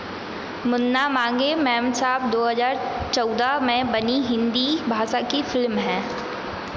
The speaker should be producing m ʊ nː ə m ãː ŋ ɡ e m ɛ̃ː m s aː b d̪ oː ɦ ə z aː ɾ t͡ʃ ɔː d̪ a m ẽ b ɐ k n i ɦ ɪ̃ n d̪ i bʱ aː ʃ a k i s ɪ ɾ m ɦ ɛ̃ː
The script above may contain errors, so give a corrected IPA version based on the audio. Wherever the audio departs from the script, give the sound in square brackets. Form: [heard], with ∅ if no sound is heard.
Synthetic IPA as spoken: m ʊ nː [a] m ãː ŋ ɡ e m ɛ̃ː m s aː b d̪ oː ɦ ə z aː ɾ t͡ʃ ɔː d̪ a m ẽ b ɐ [∅] n i ɦ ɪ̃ n d̪ i bʱ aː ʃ a k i [f] ɪ [l] m ɦ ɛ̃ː